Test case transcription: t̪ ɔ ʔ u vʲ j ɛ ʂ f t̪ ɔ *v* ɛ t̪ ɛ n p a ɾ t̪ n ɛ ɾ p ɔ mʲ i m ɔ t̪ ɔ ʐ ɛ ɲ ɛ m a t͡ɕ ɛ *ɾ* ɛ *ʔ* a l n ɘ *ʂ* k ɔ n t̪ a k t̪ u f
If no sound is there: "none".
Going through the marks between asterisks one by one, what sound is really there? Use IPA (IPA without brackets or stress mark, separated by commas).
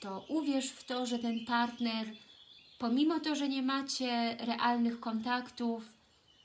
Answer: ʐ, ɾ, ʔ, x